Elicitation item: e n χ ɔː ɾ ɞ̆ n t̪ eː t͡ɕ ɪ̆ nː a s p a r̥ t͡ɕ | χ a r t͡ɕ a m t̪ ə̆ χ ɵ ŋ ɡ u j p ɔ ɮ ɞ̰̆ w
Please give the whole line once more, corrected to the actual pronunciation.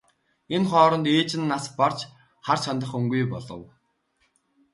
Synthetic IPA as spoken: e n χ ɔː ɾ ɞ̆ n t̪ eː t͡ɕ ɪ̆ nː a s p a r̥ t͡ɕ | χ a r t͡ɕʰ a n t̪ ə̆ χ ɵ ŋ ɡ u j p ɔ ɮ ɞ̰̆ w